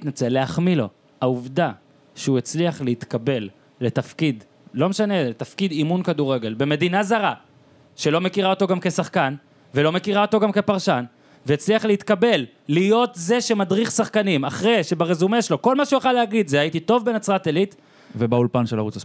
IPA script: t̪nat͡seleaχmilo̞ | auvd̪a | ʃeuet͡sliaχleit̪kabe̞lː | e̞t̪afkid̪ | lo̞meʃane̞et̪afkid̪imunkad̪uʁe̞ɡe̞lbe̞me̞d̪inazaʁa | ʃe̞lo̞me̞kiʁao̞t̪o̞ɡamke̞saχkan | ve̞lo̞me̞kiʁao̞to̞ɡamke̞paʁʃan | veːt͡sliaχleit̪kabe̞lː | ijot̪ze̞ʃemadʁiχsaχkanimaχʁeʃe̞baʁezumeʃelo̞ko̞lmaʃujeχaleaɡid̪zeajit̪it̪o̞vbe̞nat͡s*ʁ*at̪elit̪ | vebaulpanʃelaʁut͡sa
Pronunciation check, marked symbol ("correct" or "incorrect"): correct